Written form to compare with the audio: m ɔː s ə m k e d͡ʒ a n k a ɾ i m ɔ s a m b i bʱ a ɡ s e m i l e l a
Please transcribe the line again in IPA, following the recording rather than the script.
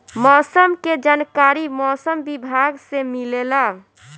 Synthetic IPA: m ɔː s ə m k e d͡ʒ a n k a ɾ i m ɔ s ə m b i bʱ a ɡ s e m i l e l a